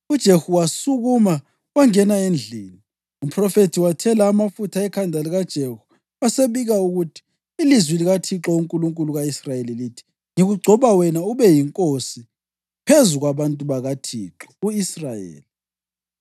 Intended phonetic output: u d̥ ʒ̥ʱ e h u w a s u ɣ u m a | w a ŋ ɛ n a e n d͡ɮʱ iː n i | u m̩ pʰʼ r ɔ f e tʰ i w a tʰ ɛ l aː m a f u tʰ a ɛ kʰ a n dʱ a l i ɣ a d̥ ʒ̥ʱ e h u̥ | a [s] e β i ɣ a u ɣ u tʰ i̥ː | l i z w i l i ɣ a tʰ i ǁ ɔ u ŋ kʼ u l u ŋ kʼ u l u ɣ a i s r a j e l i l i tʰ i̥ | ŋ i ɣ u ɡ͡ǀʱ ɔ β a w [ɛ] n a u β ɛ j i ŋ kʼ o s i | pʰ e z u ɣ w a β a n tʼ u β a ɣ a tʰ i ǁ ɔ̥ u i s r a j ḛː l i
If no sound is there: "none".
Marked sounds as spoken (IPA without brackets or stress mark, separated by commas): s, ɛ